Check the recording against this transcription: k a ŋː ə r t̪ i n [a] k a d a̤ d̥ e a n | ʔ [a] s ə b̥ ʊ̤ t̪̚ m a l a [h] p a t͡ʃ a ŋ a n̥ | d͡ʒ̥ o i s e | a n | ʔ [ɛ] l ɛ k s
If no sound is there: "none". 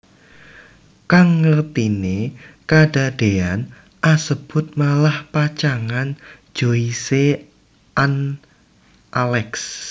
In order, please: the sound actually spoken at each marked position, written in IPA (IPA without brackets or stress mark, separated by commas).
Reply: e, a, h, a